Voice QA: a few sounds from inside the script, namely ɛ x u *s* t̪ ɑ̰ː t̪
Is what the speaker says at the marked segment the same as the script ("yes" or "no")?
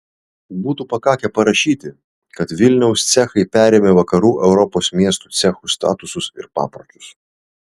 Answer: yes